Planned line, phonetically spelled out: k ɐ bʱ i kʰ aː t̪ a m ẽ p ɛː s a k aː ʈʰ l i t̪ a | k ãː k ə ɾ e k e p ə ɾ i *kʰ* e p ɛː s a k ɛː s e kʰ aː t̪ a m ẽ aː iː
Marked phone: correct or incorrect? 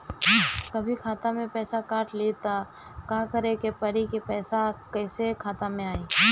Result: incorrect